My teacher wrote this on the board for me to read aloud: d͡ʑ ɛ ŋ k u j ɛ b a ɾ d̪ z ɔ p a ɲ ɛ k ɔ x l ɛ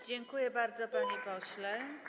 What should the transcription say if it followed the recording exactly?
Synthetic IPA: d͡ʑ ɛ ŋ k u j ɛ b a ɾ d̪ z ɔ p a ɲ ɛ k ɔ ɕ l ɛ